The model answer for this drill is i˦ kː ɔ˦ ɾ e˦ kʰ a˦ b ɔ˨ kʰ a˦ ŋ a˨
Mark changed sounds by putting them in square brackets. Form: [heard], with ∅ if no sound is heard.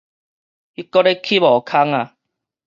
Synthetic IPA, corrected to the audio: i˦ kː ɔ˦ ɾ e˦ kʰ [i˦] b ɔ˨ kʰ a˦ ŋ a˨